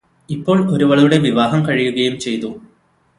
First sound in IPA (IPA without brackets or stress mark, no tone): i